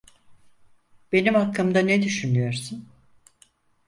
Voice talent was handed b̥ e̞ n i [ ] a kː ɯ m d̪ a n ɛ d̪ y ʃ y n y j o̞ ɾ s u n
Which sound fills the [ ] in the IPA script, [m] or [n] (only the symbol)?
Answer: m